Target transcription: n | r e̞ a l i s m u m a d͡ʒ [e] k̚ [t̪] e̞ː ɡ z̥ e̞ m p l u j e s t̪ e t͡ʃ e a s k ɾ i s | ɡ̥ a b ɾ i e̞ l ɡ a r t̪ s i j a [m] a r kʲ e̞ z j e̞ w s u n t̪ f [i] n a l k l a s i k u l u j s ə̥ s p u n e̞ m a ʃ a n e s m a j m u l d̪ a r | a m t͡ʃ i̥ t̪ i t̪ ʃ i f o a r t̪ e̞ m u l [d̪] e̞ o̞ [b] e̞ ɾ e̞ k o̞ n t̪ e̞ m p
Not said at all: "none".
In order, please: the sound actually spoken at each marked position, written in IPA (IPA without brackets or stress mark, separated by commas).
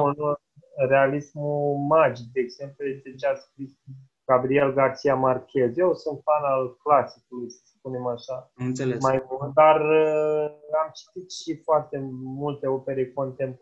i, d̪, m, a, t̪, p